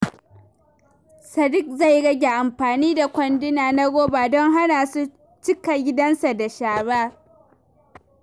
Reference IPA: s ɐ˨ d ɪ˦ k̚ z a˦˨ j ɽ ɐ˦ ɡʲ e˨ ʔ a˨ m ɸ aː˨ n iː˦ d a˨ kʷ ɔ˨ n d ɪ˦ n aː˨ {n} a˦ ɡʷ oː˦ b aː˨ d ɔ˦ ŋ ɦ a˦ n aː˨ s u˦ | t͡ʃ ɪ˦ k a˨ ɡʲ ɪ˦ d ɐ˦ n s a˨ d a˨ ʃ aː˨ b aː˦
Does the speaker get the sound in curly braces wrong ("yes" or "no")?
no